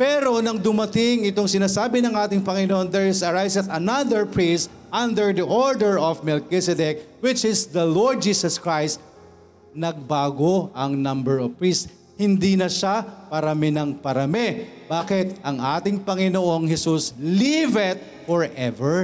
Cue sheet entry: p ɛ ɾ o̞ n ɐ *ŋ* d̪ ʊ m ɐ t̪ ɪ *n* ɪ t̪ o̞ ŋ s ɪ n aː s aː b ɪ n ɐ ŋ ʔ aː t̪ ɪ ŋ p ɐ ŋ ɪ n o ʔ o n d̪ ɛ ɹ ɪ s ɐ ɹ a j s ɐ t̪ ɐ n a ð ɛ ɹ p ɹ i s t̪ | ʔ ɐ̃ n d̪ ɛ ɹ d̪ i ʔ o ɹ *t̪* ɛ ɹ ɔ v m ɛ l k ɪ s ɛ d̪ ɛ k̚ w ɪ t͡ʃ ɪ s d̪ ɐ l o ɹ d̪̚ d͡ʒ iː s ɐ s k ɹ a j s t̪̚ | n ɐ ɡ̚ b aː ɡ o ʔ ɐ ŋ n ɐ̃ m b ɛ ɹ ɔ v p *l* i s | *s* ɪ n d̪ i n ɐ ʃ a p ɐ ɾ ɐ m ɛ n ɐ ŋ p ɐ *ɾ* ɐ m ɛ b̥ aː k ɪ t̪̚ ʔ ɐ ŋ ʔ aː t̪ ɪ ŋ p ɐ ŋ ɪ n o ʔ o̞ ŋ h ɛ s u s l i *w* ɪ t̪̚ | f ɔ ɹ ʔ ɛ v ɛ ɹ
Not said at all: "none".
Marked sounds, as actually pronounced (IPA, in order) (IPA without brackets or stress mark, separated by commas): ŋ, ŋ, d̪, ɹ, h, ɾ, v